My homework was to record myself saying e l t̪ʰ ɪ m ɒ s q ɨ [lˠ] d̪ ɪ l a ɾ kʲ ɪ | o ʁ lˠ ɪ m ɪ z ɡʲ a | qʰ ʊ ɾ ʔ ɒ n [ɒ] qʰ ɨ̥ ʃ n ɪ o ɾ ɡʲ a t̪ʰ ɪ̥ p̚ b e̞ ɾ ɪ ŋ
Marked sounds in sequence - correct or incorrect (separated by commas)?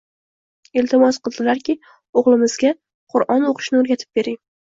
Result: correct, incorrect